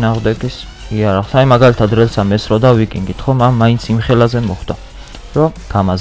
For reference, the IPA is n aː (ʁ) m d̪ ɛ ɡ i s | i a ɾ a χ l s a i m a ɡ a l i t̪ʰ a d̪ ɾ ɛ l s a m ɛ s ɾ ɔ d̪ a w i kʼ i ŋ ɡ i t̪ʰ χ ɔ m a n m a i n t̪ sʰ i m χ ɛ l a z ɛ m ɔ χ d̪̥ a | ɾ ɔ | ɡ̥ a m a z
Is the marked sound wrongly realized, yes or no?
no